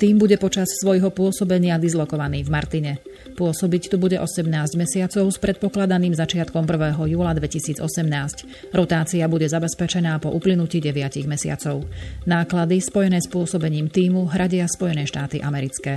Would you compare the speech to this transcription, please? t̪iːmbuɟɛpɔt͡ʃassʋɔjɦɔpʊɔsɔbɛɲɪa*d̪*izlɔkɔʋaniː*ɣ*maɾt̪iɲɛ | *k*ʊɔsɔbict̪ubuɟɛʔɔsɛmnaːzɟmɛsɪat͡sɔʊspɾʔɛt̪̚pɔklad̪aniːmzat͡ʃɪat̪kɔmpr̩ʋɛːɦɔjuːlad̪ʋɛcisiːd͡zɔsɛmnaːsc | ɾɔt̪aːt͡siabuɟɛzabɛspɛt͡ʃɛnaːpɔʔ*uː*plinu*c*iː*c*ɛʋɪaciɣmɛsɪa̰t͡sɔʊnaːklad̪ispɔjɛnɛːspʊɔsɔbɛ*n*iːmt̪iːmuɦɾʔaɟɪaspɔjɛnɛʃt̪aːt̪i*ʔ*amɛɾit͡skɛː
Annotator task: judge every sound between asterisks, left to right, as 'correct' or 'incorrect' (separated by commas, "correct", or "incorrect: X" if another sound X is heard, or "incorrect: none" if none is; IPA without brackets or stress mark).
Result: correct, incorrect: v, incorrect: p, incorrect: u, correct, incorrect: ɟ, incorrect: ɲ, correct